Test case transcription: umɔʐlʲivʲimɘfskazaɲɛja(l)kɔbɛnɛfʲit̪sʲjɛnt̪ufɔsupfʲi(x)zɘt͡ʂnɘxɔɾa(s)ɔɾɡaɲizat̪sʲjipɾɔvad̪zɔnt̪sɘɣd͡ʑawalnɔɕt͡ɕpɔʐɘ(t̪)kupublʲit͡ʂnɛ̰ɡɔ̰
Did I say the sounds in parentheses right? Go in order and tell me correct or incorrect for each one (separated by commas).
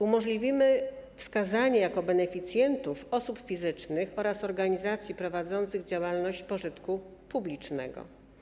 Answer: incorrect, incorrect, correct, correct